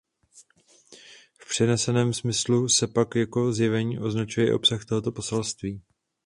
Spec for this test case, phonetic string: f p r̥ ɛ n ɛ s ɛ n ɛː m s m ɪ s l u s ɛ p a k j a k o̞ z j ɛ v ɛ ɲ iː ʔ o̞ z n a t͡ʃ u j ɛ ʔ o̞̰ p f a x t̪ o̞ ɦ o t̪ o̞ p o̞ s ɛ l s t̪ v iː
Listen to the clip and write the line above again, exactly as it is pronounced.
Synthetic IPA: f p r̥ ɛ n ɛ s ɛ n ɛː m s m ɪ s l u s ɛ p a k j a k o̞ z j ɛ v ɛ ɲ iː ʔ o̞ z n a t͡ʃ u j ɛ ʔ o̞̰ p s a x t̪ o̞ ɦ o t̪ o̞ p o̞ s ɛ l s t̪ v iː